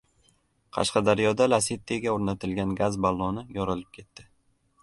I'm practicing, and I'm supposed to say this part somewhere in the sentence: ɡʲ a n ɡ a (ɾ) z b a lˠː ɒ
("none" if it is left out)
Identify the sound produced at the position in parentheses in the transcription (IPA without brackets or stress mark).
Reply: none